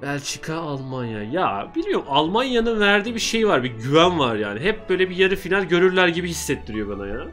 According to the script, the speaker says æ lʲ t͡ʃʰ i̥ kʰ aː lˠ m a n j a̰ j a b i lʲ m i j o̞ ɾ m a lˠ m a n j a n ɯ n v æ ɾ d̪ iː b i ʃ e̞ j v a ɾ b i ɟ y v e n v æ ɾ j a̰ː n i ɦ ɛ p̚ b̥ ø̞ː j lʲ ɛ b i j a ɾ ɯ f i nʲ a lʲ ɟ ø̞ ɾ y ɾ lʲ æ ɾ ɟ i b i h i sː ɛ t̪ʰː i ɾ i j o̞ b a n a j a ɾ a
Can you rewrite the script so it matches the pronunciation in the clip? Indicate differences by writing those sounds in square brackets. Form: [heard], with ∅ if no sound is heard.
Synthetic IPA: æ lʲ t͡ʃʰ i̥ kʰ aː lˠ m a n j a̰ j a b i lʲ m i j o̞ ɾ m a lˠ m a n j a n ɯ n v æ ɾ d̪ iː b i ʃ e̞ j v a ɾ b i ɟ y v [æ] n v [a] ɾ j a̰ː n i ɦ ɛ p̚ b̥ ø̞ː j lʲ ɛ b i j a ɾ ɯ f i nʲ a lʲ ɟ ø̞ ɾ y ɾ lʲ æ ɾ ɟ i b i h i sː ɛ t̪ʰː i ɾ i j o̞ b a n a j a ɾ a

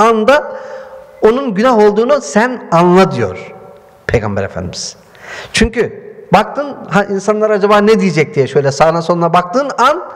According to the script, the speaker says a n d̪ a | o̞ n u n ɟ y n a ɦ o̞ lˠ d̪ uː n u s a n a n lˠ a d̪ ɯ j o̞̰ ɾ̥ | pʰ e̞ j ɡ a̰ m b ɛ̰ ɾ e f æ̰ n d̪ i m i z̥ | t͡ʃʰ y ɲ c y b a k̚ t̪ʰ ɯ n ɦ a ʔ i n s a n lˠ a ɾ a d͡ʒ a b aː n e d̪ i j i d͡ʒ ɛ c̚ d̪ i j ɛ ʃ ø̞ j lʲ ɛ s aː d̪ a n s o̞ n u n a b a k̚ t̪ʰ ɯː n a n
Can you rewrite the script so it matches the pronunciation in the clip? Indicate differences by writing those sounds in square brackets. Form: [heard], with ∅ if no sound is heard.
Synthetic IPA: a n d̪ a | o̞ n u n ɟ y n a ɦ o̞ lˠ d̪ uː n u s [æ] n a n lˠ a d̪ ɯ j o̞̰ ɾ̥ | pʰ e̞ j ɡ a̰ m b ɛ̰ ɾ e f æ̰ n d̪ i m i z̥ | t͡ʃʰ y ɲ c y b a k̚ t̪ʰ ɯ n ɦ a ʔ i n s a n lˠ a ɾ a d͡ʒ a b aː n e d̪ i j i d͡ʒ ɛ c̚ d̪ i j ɛ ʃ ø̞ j lʲ ɛ s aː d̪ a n s o̞ n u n a b a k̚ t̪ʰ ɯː n a n

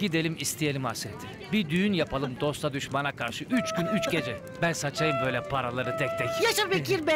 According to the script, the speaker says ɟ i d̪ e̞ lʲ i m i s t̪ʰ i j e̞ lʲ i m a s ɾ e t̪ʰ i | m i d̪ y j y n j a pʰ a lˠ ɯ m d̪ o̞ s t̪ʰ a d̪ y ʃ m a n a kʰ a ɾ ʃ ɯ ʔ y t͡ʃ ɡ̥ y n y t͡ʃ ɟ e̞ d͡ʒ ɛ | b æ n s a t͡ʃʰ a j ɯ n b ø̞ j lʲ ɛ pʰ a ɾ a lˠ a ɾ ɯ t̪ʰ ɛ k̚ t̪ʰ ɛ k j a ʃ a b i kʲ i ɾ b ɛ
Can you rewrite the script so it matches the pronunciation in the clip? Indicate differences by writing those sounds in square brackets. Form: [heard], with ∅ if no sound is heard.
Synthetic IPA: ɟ i d̪ e̞ lʲ i m i s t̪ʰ i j e̞ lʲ i m a s ɾ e t̪ʰ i | [b] i d̪ y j y n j a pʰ a lˠ ɯ m d̪ o̞ s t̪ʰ a d̪ y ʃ m a n a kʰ a ɾ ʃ ɯ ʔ y t͡ʃ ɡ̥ y n y t͡ʃ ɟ e̞ d͡ʒ ɛ | b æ n s a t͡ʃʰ a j ɯ [m] b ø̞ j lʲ ɛ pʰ a ɾ a lˠ a ɾ ɯ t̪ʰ ɛ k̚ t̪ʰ ɛ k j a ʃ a b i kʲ i ɾ b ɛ

